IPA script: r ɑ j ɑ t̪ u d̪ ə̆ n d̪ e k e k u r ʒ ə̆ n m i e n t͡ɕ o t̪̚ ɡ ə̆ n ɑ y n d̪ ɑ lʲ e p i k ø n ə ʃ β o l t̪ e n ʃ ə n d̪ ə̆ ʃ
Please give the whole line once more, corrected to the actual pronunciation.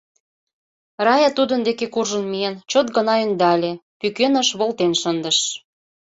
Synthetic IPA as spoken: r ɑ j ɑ t̪ u d̪ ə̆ n d̪ e k e k u r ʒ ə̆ n m i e n t͡ɕ o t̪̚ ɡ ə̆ n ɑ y n d̪ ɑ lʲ e p y k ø n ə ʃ β o l t̪ e n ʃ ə n d̪ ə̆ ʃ